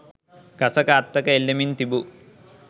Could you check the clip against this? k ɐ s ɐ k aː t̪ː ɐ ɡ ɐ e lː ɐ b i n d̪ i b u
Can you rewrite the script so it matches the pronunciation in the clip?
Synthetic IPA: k ɐ s ɐ k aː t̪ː ɐ k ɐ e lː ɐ m i n t̪ i b u